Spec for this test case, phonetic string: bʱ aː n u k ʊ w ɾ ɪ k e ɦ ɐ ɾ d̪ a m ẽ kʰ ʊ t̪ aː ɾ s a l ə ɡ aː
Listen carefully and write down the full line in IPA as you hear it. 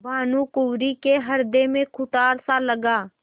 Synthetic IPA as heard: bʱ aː n u k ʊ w ɾ i k e ɦ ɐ ɾ d̪ e m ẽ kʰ ʊ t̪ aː ɾ s a l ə ɡ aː